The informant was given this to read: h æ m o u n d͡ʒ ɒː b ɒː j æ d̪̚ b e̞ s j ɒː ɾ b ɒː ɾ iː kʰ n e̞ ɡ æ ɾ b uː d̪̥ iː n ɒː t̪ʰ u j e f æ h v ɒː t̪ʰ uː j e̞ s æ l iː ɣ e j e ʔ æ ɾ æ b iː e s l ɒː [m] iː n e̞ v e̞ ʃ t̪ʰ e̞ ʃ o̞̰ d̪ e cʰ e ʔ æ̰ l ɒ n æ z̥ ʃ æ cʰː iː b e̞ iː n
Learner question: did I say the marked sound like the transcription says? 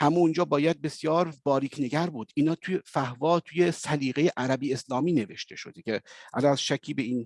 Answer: yes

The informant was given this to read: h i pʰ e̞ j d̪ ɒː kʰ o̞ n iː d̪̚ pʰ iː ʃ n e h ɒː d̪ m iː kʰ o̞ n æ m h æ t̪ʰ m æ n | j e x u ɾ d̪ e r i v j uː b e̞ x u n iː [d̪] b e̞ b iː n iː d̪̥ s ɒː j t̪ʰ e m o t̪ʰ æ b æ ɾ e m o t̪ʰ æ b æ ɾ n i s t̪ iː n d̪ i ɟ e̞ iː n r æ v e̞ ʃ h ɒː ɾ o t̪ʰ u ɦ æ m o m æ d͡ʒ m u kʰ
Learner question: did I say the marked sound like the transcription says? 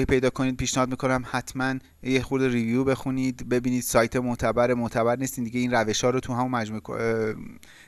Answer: yes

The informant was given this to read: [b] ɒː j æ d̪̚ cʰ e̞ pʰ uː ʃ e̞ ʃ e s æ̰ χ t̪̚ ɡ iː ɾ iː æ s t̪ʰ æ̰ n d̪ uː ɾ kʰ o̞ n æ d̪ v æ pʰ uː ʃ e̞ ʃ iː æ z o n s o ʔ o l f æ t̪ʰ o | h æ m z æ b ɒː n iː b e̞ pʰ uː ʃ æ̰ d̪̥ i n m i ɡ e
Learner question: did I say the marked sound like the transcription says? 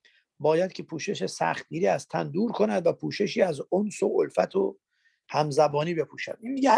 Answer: yes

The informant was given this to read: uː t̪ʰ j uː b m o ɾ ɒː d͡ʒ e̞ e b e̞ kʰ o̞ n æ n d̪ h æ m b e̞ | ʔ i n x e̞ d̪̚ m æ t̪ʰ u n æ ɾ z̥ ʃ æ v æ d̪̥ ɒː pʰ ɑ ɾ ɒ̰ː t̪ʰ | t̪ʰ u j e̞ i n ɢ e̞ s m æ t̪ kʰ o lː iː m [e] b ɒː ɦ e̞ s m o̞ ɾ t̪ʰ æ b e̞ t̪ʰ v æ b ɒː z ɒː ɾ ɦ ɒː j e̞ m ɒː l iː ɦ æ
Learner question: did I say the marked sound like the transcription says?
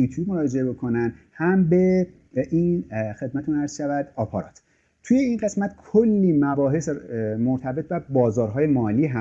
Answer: no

